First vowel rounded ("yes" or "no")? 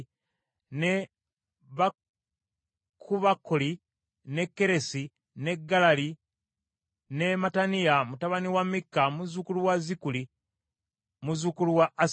no